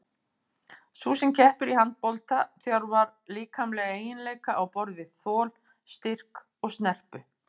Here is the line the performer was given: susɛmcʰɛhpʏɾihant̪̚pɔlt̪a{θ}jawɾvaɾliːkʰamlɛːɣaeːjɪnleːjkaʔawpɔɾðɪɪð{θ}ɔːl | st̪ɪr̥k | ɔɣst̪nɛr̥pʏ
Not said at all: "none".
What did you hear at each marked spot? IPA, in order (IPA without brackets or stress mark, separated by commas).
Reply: θ, θ